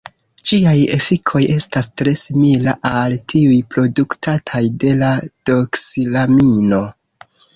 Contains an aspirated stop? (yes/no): yes